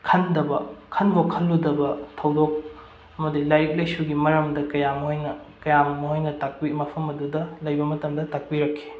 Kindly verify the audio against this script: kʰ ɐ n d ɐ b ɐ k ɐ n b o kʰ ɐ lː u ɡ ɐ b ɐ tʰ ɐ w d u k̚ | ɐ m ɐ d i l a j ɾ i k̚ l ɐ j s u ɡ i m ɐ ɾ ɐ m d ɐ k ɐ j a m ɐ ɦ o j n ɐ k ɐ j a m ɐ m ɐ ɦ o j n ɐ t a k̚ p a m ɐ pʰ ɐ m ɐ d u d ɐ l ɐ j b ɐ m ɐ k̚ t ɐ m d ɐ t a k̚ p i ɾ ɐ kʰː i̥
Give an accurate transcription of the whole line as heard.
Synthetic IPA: kʰ ɐ n d ɐ b ɐ kʰ ɐ n b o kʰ ɐ lː u d ɐ b ɐ tʰ ɐ w d o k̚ | ɐ m ɐ d i l a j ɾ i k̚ l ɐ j s u ɡ i m ɐ ɾ ɐ m d ɐ k ɐ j a m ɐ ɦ o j n ɐ k ɐ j a m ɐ m ɐ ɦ o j n ɐ t a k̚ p i m ɐ pʰ ɐ m ɐ d u d ɐ l ɐ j b ɐ m ɐ t ɐ m d ɐ t a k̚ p i ɾ ɐ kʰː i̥